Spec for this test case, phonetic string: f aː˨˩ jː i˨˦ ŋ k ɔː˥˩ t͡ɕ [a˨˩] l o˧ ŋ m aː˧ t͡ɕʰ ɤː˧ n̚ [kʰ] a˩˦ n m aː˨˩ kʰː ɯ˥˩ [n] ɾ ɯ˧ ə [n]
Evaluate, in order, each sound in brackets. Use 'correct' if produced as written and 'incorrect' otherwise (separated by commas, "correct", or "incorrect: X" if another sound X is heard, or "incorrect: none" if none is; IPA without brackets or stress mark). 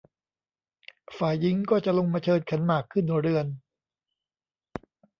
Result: correct, correct, correct, correct